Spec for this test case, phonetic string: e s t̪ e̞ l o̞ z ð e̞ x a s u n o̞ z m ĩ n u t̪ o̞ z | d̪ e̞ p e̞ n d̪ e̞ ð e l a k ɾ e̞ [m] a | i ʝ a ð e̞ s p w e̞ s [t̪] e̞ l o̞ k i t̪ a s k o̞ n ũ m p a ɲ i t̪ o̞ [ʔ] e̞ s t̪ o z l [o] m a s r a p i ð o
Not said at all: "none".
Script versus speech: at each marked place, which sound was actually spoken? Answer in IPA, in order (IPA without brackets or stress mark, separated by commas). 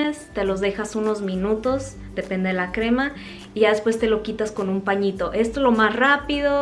m, t̪, ʔ, o